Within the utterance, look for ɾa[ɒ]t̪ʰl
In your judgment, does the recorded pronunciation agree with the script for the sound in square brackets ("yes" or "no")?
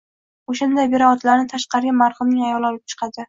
yes